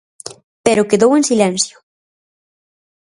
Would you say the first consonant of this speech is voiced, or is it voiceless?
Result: voiceless